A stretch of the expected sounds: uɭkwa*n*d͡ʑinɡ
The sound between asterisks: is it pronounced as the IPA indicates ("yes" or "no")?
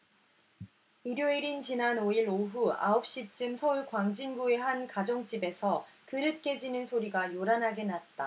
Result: no